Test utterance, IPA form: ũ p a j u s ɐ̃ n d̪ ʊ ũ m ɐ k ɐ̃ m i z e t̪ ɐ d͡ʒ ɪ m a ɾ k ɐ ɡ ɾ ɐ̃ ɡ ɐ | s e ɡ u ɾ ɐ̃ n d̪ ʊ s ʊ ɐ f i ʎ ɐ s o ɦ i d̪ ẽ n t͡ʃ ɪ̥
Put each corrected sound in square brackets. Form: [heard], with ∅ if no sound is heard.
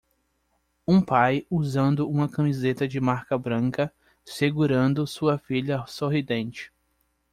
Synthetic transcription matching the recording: ũ p a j u [z] ɐ̃ n d̪ ʊ ũ m ɐ k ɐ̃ m i z e t̪ ɐ d͡ʒ ɪ m a ɾ k ɐ [b] ɾ ɐ̃ [k] ɐ | s e ɡ u ɾ ɐ̃ n d̪ ʊ s [u] ɐ f i ʎ ɐ s o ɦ i d̪ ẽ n t͡ʃ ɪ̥